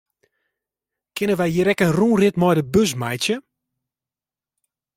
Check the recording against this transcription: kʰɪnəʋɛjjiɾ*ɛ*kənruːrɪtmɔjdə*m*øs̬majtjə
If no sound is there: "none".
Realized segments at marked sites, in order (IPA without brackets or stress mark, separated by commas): ɛ, b